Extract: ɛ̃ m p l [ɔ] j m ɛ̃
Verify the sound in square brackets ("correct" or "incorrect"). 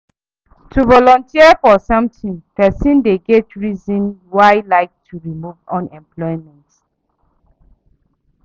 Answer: correct